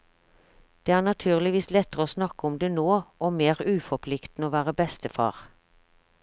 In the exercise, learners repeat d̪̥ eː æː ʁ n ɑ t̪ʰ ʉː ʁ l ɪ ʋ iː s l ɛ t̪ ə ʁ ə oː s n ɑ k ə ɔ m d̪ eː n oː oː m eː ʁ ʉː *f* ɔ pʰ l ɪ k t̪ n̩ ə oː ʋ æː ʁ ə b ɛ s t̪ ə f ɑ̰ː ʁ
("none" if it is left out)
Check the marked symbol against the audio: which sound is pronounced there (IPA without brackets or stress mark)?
f